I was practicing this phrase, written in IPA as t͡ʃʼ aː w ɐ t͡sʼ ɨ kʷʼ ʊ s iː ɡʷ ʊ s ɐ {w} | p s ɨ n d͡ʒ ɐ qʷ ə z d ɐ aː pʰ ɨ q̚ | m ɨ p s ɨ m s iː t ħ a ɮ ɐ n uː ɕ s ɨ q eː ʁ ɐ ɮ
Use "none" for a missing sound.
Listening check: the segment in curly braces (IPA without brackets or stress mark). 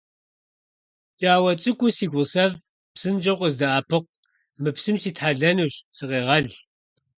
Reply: v